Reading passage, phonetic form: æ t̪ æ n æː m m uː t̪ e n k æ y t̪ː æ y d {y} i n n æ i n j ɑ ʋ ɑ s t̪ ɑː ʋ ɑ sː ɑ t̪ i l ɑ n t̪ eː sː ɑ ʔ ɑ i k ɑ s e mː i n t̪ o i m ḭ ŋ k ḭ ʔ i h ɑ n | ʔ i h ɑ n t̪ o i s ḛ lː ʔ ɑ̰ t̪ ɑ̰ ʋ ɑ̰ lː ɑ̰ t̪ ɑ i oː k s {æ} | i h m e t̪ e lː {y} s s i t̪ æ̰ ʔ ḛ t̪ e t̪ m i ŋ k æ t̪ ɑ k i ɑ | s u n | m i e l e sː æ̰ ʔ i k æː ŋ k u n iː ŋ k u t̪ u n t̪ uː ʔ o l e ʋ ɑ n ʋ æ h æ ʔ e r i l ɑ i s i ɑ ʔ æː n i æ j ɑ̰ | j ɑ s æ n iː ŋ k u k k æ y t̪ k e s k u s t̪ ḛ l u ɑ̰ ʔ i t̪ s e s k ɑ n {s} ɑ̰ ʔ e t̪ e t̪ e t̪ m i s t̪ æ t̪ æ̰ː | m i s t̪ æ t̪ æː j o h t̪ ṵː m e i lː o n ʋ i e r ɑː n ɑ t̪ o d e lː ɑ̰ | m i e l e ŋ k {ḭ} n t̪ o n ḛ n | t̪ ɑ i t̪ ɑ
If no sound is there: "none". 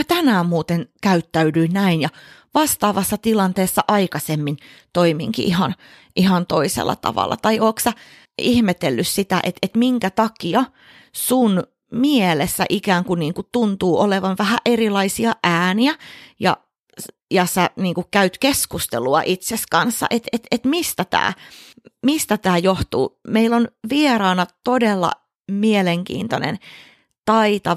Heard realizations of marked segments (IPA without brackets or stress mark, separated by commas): y, æ, y, sː, ḭː